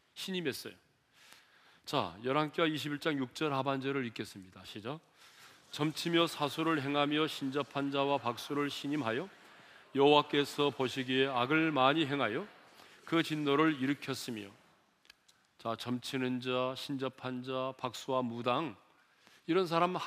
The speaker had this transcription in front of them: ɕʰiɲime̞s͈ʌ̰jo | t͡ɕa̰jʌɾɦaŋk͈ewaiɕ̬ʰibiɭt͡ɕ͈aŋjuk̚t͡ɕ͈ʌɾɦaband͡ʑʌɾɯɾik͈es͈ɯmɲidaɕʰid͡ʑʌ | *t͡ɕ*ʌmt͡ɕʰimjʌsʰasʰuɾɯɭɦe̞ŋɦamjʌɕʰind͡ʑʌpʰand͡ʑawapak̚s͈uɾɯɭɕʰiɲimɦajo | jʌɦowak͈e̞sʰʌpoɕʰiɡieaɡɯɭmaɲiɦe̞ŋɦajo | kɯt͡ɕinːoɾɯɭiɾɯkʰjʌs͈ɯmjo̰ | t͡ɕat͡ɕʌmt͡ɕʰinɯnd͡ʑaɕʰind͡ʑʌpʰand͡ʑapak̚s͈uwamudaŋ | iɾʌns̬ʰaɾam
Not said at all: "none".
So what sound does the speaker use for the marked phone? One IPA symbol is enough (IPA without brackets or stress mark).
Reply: t͡ɕ